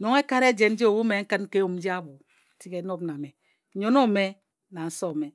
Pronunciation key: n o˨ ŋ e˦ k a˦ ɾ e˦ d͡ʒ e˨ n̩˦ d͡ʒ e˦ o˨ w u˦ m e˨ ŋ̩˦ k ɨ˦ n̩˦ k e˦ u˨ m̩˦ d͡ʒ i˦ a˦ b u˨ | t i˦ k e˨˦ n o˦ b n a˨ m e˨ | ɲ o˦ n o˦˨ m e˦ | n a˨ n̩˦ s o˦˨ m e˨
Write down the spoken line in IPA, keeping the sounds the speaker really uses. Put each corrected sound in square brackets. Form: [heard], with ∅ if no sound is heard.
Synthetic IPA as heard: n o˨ ŋ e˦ k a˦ ɾ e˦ d͡ʒ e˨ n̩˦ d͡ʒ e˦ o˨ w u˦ m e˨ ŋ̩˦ k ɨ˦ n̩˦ k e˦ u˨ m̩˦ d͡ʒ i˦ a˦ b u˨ | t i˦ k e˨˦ n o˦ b n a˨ m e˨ | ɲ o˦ n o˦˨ m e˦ | n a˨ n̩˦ s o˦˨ m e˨